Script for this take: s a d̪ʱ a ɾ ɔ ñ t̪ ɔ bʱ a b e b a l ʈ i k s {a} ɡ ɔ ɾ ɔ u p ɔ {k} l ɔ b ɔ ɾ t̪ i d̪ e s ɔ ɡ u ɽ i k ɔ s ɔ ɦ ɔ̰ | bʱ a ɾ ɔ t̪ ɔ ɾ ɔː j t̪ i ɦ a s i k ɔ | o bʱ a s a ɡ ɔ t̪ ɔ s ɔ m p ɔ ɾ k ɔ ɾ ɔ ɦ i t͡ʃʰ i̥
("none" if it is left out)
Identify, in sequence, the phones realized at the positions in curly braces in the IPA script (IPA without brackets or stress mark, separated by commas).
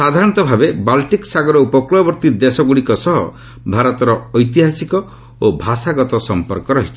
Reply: a, k